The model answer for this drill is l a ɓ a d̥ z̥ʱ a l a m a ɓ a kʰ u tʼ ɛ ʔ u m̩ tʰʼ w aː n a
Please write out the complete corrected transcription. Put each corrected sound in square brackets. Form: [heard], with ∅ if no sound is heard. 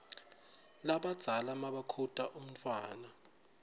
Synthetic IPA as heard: l a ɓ a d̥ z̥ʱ a l a m a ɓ a kʰ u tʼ [a] ʔ u m̩ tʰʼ w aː n a